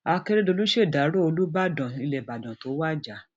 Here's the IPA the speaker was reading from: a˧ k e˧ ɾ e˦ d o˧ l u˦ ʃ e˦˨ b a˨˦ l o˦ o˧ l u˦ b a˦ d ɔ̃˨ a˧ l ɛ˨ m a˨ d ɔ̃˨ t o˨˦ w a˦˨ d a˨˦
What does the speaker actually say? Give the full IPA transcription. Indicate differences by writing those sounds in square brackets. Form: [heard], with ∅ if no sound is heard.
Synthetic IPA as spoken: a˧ k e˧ ɾ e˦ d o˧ l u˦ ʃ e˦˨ [d] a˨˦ [ɾ] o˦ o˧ l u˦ b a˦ d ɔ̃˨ [i˧] l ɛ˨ [b] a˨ d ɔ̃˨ t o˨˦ w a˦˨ [d͡ʒ] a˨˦